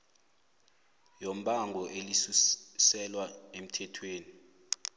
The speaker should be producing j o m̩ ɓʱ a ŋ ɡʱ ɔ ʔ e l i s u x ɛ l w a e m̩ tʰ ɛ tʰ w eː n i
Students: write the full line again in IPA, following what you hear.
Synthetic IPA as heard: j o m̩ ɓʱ a ŋ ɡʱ ɔ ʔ e l i s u s ɛ l w a e m̩ tʰ ɛ tʰ w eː n i